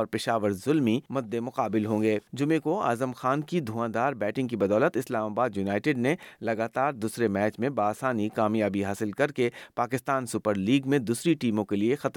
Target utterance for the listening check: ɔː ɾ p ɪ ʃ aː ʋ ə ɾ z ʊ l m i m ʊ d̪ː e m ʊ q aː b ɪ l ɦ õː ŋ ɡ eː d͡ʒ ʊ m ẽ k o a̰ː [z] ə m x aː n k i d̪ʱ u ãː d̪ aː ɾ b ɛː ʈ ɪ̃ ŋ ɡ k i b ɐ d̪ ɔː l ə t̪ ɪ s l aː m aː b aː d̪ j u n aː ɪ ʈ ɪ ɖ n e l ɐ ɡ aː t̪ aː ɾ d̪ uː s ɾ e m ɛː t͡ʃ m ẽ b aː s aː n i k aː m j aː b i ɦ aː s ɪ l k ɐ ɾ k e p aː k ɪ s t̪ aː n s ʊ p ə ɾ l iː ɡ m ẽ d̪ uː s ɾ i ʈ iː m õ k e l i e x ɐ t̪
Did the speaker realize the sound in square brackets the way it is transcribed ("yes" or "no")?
yes